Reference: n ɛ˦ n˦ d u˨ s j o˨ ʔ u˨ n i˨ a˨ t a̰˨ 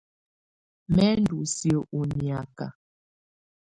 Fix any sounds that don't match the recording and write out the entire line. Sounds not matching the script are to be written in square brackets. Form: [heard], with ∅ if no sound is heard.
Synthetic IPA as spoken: [m] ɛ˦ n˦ d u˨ s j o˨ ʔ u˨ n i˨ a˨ [k] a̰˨